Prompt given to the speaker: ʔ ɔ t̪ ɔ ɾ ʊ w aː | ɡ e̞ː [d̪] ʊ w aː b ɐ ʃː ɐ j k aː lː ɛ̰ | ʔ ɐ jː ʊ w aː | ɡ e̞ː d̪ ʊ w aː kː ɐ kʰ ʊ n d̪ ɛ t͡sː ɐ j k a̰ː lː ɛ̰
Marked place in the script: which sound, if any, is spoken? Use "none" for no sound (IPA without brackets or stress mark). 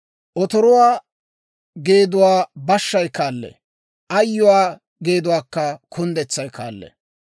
d̪